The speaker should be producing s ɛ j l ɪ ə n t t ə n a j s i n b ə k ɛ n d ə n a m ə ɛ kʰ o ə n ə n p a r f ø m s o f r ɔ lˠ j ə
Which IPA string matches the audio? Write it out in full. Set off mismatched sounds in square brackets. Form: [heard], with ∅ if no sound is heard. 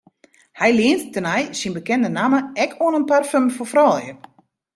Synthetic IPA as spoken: [h] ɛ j l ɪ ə n t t ə n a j s i n b ə k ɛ n d ə n a m ə ɛ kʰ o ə n ə n p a r f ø m [f] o f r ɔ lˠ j ə